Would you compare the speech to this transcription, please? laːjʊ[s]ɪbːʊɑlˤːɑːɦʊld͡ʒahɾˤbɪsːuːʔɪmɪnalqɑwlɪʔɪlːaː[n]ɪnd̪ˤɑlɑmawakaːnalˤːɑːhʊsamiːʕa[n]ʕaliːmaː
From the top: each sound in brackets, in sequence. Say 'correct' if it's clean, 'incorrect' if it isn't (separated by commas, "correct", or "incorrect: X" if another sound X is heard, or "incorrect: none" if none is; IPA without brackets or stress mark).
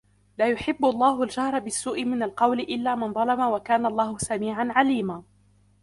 incorrect: ħ, incorrect: m, correct